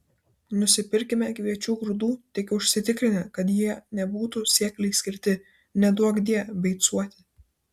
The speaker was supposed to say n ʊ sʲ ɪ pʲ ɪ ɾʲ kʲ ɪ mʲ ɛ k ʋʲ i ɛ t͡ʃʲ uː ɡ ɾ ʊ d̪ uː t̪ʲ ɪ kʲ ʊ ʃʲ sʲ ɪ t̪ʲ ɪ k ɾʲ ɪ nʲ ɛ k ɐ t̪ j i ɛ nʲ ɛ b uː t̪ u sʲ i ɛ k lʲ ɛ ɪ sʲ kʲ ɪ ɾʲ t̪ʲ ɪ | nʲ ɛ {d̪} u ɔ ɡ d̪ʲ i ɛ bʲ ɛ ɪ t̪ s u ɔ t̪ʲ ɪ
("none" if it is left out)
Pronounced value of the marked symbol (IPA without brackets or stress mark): d̪